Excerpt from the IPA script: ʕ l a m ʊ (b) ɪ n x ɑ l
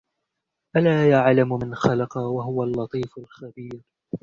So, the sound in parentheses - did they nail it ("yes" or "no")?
no